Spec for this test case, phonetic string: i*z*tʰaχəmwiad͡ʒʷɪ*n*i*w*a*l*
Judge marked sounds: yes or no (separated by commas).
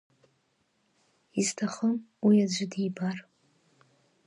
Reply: yes, no, no, no